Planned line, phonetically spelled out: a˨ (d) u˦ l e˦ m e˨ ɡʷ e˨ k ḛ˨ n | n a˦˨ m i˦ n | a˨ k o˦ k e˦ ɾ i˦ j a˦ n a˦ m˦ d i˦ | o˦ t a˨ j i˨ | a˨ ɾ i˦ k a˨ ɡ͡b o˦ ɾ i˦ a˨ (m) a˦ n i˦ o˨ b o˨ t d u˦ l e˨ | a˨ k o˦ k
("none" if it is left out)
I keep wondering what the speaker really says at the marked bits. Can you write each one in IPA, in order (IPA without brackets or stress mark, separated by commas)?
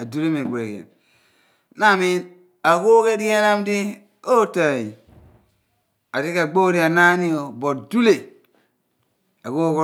d, n